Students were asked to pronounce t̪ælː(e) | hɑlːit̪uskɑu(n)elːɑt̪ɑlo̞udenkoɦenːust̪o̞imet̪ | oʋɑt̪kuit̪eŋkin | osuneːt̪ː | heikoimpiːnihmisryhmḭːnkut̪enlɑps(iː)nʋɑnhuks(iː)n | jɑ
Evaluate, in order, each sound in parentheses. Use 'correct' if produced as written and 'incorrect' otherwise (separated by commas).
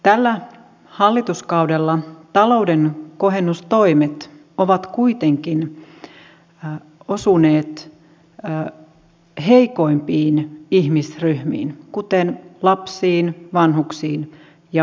incorrect, incorrect, correct, correct